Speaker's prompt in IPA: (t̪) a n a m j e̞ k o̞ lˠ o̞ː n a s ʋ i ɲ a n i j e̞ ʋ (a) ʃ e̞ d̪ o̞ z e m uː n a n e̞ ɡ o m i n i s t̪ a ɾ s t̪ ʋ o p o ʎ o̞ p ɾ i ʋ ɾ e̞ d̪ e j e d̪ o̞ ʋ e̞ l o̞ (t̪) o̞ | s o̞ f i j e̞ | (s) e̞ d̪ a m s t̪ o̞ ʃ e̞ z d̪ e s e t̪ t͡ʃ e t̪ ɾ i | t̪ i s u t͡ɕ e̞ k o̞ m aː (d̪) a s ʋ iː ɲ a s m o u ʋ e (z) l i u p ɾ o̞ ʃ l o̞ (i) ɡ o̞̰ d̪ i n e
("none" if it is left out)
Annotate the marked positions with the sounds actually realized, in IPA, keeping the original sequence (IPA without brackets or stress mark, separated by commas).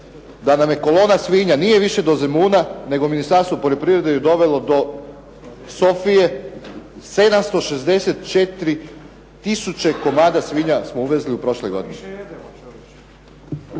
d̪, i, d̪, s, d̪, z, j